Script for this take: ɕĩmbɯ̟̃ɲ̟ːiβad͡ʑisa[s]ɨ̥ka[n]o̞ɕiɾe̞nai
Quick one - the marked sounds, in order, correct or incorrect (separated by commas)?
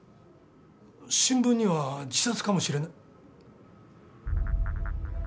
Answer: incorrect, incorrect